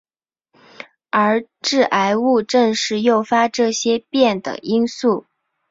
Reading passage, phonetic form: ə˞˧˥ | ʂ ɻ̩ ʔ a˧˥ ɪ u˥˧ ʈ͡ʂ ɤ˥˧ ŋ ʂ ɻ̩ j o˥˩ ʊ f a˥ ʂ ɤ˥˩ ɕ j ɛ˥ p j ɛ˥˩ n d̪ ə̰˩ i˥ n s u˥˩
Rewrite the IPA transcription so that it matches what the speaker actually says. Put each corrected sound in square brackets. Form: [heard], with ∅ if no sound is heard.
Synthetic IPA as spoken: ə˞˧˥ | [ʈ͡ʂ] ɻ̩ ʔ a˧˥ ɪ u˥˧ ʈ͡ʂ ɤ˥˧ ŋ ʂ ɻ̩ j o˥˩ ʊ f a˥ [ʈ͡ʂ] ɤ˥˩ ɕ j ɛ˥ p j ɛ˥˩ n d̪ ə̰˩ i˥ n s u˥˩